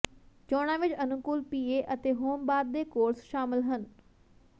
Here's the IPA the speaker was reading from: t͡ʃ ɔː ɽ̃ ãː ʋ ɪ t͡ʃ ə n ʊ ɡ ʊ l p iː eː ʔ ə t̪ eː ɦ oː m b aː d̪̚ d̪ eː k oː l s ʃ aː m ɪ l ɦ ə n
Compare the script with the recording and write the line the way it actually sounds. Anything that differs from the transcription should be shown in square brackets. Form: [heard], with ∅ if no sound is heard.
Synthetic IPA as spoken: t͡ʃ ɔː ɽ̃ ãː ʋ ɪ t͡ʃ ə n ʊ [k] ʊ l p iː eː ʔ ə t̪ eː ɦ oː m b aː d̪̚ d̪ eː k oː [ɾ] s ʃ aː m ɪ l ɦ ə n

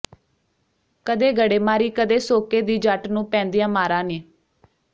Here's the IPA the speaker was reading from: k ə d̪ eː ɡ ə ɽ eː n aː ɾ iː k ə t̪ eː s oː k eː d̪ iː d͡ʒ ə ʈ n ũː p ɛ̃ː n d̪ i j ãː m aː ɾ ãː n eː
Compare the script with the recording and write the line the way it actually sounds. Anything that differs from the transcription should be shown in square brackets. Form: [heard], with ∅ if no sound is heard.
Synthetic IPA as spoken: k ə d̪ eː ɡ ə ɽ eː [m] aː ɾ iː k ə [d̪] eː s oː k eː d̪ iː d͡ʒ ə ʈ n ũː p ɛ̃ː n d̪ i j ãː m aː ɾ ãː n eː

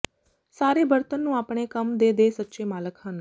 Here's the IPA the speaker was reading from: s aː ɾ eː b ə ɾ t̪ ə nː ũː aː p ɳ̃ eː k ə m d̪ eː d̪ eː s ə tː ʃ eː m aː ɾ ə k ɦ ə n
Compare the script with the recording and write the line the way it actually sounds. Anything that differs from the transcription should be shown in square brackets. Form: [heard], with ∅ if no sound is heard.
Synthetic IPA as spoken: s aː ɾ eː b ə ɾ t̪ ə nː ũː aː p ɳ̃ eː k ə m d̪ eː d̪ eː s ə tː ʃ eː m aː [l] ə k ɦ ə n

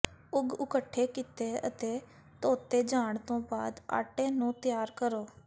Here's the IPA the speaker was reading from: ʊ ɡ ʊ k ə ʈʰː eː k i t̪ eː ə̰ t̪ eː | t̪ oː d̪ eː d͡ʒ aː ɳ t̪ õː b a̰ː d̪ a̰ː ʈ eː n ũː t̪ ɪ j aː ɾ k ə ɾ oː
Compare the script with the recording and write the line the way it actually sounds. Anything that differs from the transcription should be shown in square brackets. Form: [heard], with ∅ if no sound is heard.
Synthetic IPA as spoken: ʊ ɡ ʊ k ə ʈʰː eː k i t̪ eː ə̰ t̪ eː | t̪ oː [t̪] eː d͡ʒ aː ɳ t̪ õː b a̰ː d̪ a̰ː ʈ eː n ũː t̪ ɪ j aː ɾ k ə ɾ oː

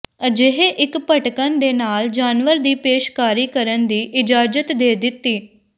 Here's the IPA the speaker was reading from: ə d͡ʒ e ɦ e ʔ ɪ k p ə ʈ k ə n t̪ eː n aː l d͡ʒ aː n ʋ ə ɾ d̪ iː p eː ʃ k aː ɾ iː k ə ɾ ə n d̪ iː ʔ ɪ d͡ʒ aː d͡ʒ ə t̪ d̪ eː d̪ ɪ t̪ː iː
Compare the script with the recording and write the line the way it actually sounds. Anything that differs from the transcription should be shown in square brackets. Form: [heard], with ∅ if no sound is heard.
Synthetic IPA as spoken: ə d͡ʒ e ɦ e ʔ ɪ k p ə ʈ k ə n [d̪] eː n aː l d͡ʒ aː n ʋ ə ɾ d̪ iː p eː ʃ k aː ɾ iː k ə ɾ ə n d̪ iː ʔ ɪ d͡ʒ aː d͡ʒ ə t̪ d̪ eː d̪ ɪ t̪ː iː

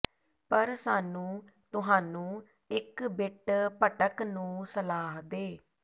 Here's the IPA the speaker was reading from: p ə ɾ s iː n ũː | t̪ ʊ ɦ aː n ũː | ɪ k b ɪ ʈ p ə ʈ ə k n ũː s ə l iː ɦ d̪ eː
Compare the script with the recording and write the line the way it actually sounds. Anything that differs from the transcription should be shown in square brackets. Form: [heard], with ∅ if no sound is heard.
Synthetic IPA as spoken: p ə ɾ s [aː] n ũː | t̪ ʊ ɦ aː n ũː | ɪ k b ɪ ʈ p ə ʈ ə k n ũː s ə l [aː] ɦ d̪ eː

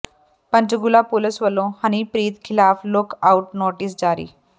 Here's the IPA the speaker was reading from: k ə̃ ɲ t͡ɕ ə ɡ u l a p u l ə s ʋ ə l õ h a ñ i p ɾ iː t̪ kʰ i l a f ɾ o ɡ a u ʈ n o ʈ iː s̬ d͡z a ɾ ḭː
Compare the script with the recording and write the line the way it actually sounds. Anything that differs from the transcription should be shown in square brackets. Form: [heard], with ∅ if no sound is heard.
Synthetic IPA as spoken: [p] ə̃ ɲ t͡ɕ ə ɡ u l a p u l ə s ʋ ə l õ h a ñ i p ɾ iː t̪ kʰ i l a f [l] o [k] a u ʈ n o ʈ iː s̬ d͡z a ɾ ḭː

